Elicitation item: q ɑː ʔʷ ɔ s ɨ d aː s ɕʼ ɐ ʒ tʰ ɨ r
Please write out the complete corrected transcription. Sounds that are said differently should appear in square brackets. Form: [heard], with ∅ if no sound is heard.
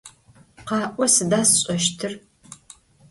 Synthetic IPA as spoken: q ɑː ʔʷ ɔ s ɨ d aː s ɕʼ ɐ [ʃ] tʰ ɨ r